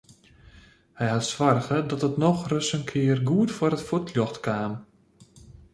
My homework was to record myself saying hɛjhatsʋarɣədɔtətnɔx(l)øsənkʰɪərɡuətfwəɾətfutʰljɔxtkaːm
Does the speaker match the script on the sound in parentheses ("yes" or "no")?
no